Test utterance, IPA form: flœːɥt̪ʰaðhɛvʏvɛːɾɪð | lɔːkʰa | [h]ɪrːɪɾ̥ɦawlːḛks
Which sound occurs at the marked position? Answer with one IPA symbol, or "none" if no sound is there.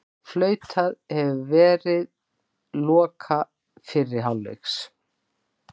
f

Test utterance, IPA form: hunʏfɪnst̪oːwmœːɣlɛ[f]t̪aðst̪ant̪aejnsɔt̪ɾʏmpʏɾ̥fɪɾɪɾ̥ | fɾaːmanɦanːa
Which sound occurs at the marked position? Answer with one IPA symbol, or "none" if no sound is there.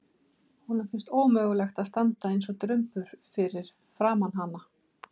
x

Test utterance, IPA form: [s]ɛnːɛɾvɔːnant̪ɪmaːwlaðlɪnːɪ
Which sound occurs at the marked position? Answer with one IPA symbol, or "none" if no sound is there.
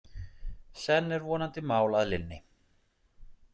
s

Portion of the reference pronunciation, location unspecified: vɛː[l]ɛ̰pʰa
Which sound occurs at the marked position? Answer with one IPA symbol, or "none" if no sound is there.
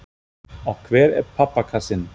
ɾ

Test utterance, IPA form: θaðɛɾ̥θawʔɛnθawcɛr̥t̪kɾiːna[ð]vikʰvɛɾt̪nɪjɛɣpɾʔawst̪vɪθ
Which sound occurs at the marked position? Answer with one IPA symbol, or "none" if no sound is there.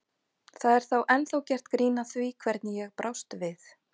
θ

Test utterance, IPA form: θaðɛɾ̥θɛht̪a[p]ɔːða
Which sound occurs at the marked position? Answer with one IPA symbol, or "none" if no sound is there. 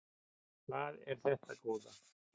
k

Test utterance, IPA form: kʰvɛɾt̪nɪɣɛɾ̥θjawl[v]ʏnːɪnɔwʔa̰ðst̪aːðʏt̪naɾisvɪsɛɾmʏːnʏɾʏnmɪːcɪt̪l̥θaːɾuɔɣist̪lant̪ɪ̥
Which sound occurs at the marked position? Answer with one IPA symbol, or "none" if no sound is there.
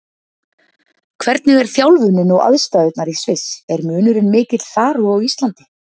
v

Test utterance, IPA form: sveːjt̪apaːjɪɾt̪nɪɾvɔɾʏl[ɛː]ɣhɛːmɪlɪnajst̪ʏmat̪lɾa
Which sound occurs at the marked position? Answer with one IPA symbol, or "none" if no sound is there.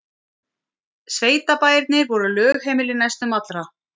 œː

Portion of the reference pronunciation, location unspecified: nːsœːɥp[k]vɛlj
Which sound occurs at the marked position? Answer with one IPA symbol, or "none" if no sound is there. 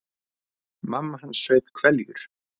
kʰ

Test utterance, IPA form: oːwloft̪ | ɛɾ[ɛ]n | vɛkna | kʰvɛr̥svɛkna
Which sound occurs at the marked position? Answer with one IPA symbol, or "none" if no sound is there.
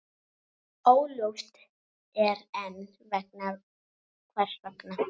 ɛ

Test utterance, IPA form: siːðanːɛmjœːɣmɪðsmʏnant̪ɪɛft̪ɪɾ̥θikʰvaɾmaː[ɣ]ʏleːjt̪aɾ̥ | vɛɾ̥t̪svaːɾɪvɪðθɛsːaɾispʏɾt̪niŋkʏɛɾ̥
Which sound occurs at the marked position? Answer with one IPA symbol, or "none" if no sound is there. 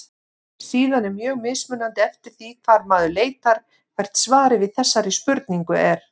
ð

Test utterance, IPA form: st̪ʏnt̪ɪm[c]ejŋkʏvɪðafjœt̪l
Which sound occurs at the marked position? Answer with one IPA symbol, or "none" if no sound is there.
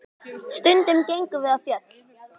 c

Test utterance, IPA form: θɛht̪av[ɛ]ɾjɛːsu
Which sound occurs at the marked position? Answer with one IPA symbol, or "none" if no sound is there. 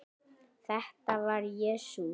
a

